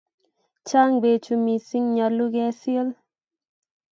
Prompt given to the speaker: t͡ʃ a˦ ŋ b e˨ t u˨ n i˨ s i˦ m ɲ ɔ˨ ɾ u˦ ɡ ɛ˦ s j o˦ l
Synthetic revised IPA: t͡ʃ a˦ ŋ b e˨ t͡ʃ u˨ m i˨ s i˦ ŋ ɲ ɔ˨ l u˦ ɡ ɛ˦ s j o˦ l